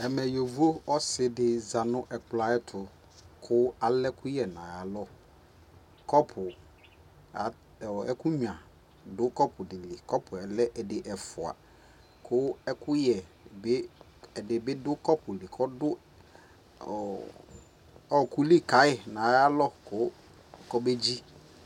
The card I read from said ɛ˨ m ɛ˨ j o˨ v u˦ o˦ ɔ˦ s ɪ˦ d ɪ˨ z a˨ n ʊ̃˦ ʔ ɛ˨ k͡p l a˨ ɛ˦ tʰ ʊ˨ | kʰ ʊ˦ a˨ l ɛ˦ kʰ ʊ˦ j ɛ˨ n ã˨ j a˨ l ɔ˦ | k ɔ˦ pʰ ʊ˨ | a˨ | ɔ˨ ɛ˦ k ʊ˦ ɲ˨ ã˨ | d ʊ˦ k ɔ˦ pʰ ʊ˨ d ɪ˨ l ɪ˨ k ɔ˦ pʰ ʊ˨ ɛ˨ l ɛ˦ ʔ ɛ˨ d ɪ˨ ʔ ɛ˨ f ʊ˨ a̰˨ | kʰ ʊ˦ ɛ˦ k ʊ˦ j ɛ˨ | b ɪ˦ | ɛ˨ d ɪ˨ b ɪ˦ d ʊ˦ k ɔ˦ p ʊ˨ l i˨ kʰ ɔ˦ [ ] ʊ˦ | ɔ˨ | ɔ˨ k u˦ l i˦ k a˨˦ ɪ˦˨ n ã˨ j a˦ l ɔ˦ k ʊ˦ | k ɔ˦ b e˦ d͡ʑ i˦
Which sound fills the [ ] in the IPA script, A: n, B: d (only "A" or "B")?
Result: B